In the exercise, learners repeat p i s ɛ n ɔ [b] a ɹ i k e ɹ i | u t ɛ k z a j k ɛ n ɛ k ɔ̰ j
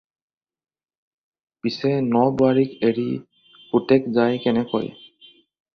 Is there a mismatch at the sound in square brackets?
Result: no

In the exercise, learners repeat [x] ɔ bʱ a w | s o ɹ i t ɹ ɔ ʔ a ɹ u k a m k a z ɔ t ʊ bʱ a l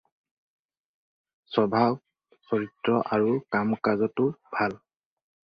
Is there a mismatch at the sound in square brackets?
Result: yes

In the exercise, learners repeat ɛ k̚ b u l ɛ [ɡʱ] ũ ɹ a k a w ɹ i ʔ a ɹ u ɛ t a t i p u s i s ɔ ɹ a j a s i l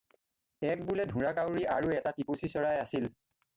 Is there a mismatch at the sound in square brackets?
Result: yes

